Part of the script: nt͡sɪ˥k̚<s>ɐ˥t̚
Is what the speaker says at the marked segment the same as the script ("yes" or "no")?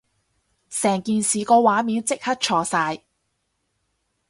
no